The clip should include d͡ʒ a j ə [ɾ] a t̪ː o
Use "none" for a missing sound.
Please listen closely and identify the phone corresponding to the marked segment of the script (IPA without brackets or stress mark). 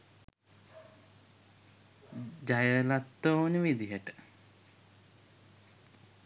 l